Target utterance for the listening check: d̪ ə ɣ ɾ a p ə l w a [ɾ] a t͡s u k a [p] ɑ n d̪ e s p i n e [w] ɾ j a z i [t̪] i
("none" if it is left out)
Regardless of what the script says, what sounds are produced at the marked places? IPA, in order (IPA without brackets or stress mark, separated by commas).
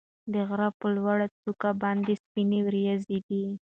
ɽ, b, w, d̪